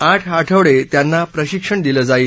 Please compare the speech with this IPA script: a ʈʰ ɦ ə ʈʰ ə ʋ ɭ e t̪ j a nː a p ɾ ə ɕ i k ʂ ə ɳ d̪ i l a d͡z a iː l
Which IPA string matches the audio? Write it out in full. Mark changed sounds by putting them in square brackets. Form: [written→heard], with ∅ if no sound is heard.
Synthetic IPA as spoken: a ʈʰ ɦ [ə→a] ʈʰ ə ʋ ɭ e t̪ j a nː a p ɾ ə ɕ i k ʂ ə ɳ d̪ i l [a→ə] d͡z a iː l